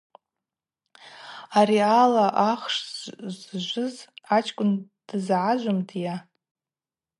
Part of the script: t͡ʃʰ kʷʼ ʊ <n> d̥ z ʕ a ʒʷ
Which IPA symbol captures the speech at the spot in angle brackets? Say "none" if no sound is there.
n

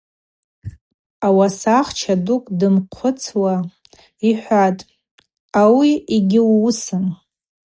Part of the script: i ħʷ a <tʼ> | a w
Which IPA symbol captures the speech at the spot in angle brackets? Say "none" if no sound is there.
tʼ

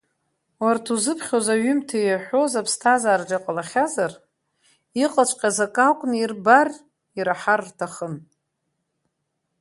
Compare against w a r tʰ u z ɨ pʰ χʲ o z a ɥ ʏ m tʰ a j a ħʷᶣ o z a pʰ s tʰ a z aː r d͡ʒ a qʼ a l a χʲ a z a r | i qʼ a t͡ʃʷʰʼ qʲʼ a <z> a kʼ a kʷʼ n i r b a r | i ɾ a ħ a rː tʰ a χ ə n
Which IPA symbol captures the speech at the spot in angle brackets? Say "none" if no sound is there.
z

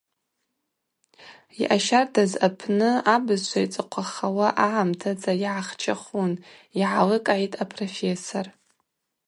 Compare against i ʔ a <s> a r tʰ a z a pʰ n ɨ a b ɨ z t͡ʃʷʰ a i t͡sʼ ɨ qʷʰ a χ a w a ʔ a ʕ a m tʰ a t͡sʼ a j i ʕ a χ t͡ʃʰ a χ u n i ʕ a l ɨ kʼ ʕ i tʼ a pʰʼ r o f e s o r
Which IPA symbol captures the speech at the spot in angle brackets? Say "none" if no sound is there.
ʃ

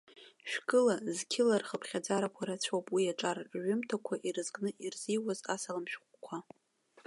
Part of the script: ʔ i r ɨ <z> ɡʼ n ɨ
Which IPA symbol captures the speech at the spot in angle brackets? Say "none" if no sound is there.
z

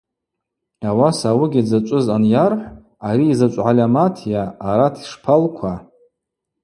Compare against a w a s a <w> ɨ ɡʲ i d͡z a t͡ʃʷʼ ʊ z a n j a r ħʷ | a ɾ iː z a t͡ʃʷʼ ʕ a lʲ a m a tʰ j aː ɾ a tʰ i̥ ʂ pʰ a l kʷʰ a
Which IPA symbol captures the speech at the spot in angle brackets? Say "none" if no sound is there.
w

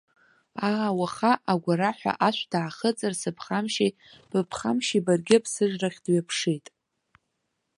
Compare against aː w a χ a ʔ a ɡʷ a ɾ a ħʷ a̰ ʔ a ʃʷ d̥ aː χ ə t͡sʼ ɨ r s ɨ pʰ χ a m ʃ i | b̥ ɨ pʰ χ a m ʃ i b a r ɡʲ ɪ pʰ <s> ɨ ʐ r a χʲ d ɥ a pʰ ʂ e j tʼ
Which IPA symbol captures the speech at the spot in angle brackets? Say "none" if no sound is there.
s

